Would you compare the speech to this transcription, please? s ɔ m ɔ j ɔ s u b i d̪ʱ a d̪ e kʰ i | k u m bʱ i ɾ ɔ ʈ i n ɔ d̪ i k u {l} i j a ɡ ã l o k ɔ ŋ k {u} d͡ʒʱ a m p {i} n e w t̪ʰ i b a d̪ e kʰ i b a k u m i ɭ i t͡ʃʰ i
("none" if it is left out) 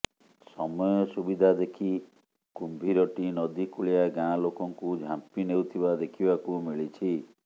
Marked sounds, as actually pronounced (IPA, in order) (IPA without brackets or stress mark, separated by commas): ɭ, u, i